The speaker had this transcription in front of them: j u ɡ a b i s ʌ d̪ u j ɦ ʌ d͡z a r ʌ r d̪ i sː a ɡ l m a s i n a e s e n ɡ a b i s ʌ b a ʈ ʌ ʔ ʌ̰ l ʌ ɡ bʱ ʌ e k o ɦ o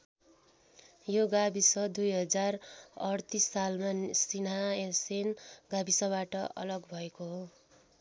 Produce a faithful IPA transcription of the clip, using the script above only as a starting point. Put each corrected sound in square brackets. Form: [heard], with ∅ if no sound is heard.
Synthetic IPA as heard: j [o] ɡ a b i s ʌ d̪ u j ɦ ʌ d͡z a r ʌ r [t̪] i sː a [∅] l m a s i n a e s e n ɡ a b i s ʌ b a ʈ ʌ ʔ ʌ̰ l ʌ ɡ bʱ ʌ e k o ɦ o